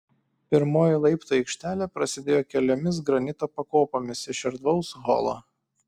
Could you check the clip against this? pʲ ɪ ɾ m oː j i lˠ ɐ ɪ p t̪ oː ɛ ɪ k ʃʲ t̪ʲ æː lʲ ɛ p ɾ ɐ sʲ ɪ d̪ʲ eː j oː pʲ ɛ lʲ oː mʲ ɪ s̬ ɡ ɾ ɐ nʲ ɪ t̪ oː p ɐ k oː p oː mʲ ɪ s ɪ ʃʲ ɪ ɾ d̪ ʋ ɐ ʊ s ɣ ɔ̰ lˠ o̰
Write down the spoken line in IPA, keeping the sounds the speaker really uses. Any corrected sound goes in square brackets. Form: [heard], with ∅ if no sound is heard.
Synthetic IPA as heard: pʲ ɪ ɾ m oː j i lˠ ɐ ɪ p t̪ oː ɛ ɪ k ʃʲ t̪ʲ æː lʲ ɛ p ɾ ɐ sʲ ɪ d̪ʲ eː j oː [kʲ] ɛ lʲ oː mʲ ɪ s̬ ɡ ɾ ɐ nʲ ɪ t̪ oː p ɐ k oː p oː mʲ ɪ s ɪ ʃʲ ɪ ɾ d̪ ʋ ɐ ʊ s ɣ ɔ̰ lˠ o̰

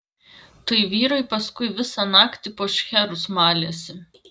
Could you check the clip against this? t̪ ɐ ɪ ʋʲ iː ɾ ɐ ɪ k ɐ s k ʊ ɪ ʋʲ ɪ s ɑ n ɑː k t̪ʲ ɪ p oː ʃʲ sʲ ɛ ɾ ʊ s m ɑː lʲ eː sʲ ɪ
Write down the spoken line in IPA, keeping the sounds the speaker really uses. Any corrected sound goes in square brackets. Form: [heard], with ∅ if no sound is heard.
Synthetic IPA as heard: t̪ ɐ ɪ ʋʲ iː ɾ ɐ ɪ [p] ɐ s k ʊ ɪ ʋʲ ɪ s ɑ n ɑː k t̪ʲ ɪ p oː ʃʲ [xʲ] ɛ ɾ ʊ s m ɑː lʲ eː sʲ ɪ

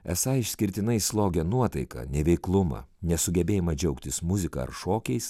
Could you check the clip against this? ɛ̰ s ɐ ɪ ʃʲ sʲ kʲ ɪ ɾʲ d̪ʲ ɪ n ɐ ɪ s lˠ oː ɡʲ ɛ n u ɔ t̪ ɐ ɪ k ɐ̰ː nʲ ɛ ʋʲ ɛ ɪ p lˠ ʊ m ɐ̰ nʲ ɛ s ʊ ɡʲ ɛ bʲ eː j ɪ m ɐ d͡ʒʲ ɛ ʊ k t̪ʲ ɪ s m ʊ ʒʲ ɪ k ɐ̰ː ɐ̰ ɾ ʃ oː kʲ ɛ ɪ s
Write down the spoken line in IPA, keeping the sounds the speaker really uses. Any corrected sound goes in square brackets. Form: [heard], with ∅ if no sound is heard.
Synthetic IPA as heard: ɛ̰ s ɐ ɪ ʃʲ sʲ kʲ ɪ ɾʲ [t̪ʲ] ɪ n ɐ ɪ s lˠ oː ɡʲ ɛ n u ɔ t̪ ɐ ɪ k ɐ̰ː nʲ ɛ ʋʲ ɛ ɪ [k] lˠ ʊ m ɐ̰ nʲ ɛ s ʊ ɡʲ ɛ bʲ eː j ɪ m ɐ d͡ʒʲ ɛ ʊ k t̪ʲ ɪ s m ʊ [zʲ] ɪ k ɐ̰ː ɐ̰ ɾ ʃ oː kʲ ɛ ɪ s

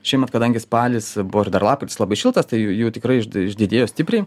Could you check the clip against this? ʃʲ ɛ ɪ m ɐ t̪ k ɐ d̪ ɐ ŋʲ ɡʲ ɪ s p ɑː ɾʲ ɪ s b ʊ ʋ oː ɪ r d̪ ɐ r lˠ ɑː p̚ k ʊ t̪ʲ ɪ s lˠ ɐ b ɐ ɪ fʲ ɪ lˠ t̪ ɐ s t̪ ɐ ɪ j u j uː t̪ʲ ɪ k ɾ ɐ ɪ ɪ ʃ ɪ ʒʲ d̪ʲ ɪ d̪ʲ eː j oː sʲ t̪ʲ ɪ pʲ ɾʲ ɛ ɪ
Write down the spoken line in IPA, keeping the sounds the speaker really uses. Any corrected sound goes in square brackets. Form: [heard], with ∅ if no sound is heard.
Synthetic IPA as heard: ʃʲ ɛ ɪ m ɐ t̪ k ɐ d̪ ɐ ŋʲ ɡʲ ɪ s p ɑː [lʲ] ɪ s b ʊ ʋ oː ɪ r d̪ ɐ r lˠ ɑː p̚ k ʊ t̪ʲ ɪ s lˠ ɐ b ɐ ɪ [ʃʲ] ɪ lˠ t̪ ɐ s t̪ ɐ ɪ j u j uː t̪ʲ ɪ k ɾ ɐ ɪ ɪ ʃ ɪ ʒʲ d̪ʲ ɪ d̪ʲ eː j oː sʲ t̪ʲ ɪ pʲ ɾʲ ɛ ɪ

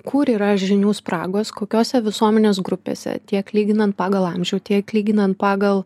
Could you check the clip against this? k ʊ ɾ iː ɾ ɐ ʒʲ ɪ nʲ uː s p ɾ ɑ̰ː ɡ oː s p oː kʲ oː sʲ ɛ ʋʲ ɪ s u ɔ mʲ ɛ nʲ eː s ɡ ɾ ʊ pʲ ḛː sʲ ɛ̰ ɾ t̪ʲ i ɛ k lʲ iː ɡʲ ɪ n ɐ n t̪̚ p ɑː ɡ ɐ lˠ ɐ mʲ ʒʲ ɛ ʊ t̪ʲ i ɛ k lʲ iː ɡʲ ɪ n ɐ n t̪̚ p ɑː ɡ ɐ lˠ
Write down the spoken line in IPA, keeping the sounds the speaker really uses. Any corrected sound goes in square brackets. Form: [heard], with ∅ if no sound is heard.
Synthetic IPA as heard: k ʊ ɾ iː ɾ ɐ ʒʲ ɪ nʲ uː s p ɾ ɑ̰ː ɡ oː s [k] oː kʲ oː sʲ ɛ ʋʲ ɪ s u ɔ mʲ ɛ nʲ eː s ɡ ɾ ʊ pʲ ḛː sʲ ɛ̰ [∅] t̪ʲ i ɛ k lʲ iː ɡʲ ɪ n ɐ n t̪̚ p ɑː ɡ ɐ lˠ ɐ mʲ ʒʲ ɛ ʊ t̪ʲ i ɛ k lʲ iː ɡʲ ɪ n ɐ n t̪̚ p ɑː ɡ ɐ lˠ

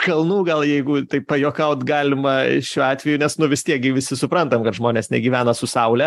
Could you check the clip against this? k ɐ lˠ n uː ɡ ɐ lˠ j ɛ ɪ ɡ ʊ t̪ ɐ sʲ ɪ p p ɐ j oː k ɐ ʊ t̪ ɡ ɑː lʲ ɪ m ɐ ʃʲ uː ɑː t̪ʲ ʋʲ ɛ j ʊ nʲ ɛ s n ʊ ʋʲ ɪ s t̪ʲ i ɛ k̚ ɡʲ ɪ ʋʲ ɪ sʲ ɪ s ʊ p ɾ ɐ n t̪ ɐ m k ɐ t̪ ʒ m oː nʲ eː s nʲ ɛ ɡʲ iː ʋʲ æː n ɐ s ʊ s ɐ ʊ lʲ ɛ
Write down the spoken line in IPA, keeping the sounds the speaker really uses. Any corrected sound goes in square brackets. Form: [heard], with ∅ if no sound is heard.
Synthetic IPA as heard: k ɐ lˠ n uː ɡ ɐ lˠ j ɛ ɪ ɡ ʊ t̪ ɐ [∅] ɪ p p ɐ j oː k ɐ ʊ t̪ ɡ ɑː lʲ ɪ m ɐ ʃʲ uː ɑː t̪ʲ ʋʲ ɛ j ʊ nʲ ɛ s n ʊ ʋʲ ɪ s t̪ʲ i ɛ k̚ ɡʲ ɪ ʋʲ ɪ sʲ ɪ s ʊ p ɾ ɐ n t̪ ɐ m k ɐ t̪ ʒ m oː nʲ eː s nʲ ɛ ɡʲ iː ʋʲ æː n ɐ s ʊ s ɐ ʊ lʲ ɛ

